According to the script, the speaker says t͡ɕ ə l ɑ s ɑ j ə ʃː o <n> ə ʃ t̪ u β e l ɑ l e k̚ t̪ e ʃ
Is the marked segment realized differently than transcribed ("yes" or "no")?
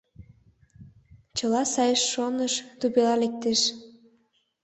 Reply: no